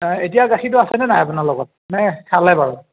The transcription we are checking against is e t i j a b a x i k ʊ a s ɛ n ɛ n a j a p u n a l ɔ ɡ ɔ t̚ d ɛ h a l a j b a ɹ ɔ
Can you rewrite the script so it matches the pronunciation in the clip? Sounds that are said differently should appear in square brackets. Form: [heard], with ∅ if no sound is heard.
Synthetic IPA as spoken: e t i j a [ɡ] a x i [t] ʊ a s ɛ n ɛ n a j a p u n a l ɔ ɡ ɔ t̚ [n] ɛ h a l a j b a ɹ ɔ